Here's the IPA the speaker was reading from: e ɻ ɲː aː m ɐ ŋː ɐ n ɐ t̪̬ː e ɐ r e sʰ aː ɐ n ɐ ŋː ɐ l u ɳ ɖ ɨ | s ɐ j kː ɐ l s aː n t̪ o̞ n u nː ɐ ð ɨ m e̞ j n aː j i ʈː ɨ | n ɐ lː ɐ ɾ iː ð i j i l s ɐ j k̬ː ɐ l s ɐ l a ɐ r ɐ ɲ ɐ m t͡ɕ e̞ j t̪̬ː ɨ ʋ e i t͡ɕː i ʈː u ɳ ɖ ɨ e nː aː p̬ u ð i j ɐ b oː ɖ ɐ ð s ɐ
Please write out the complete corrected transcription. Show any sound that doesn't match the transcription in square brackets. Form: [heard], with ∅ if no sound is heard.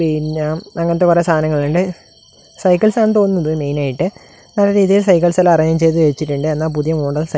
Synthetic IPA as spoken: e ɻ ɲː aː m ɐ ŋː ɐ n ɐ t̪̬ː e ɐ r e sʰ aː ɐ n ɐ ŋː ɐ [ɭ] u ɳ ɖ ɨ | s ɐ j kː ɐ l s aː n t̪ o̞ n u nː ɐ ð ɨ m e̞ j n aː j i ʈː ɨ | n ɐ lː ɐ ɾ iː ð i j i l s ɐ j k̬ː ɐ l s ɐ l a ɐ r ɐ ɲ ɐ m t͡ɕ e̞ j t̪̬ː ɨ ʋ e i t͡ɕː i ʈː u ɳ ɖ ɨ e nː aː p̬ u ð i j ɐ [m] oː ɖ ɐ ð s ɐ